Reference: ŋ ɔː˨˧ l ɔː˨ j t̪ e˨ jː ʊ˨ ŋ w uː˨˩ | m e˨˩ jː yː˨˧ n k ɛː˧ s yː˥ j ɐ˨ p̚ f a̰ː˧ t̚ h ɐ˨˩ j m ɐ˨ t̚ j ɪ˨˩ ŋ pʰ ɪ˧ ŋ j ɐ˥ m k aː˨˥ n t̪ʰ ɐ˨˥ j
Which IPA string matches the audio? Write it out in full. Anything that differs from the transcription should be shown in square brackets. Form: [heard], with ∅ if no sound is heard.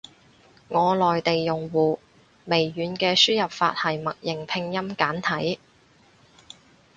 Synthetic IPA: ŋ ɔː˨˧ l ɔː˨ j t̪ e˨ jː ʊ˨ ŋ w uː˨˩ | m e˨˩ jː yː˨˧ n k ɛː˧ s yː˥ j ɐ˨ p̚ f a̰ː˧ t̚ h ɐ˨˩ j m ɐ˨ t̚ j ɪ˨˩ ŋ pʰ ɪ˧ ŋ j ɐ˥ m k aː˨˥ n t̪ʰ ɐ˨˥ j